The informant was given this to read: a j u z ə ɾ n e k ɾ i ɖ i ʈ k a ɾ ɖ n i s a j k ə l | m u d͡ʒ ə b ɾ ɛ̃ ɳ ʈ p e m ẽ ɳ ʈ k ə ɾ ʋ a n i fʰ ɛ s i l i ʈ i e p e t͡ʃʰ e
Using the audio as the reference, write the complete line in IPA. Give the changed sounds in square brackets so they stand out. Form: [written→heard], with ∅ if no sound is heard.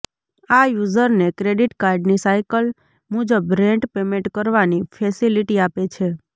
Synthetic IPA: a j u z ə ɾ n e k ɾ [i→e] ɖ i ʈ k a ɾ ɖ n i s a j k ə l | m u d͡ʒ ə b ɾ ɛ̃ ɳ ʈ p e m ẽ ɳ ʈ k ə ɾ ʋ a n i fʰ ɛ s i l i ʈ i [e→a] p e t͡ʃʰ e